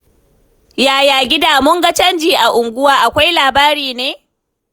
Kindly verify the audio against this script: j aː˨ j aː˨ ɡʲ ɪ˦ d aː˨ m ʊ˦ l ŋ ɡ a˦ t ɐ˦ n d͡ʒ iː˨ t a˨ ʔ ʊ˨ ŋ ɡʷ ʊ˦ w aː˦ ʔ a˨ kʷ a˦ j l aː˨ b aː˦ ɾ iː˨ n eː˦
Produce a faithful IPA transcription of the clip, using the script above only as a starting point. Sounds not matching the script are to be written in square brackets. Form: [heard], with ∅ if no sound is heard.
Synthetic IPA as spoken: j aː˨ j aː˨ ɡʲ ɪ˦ d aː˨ m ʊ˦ [∅] ŋ ɡ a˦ [t͡ʃ] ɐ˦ n d͡ʒ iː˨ [ʔ] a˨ ʔ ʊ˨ ŋ ɡʷ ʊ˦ w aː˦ ʔ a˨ kʷ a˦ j l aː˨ b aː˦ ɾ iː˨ n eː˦

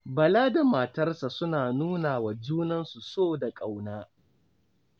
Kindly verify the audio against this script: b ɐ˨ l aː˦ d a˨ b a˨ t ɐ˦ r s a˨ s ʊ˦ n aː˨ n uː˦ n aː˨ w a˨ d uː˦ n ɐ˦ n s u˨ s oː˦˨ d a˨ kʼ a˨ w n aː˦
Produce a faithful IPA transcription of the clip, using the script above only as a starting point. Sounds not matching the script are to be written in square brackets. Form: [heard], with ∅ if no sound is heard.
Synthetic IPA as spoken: b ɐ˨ l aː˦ d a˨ [m] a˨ t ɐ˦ r s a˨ s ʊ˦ n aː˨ n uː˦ n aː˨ w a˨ [d͡ʒ] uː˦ n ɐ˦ n s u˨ s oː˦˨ d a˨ kʼ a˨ w n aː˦

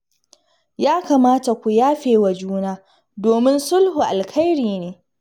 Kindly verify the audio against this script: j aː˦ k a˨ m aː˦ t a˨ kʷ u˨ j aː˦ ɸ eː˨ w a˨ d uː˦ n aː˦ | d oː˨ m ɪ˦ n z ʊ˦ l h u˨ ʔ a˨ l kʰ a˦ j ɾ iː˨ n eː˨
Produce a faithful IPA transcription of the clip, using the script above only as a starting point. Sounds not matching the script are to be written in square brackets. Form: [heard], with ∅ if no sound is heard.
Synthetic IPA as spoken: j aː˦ k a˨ m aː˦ t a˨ kʷ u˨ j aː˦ ɸ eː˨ w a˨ [d͡ʒ] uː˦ n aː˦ | d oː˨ m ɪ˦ n [s] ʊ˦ l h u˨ ʔ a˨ l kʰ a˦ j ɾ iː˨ n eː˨

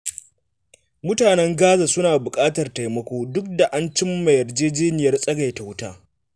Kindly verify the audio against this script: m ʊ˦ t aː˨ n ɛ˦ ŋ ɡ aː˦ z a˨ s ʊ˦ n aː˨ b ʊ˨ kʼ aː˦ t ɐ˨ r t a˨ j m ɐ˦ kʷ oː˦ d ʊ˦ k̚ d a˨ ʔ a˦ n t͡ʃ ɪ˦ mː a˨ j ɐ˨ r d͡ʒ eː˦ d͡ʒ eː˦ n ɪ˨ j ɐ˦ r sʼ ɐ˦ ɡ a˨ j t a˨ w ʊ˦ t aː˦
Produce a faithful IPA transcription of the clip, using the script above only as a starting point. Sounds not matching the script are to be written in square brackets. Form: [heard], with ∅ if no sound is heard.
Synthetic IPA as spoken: m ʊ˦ t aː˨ n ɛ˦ ŋ ɡ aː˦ z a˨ s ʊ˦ n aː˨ b ʊ˨ kʼ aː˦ t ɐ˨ r t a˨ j m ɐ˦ kʷ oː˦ d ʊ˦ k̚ d a˨ ʔ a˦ n t͡ʃ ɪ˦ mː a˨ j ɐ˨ r d͡ʒ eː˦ d͡ʒ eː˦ n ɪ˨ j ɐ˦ r sʼ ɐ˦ ɡ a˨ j t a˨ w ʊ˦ t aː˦

